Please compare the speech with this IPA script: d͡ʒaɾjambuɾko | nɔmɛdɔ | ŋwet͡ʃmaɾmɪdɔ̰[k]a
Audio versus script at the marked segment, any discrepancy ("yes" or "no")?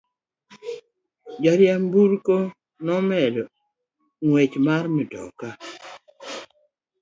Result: no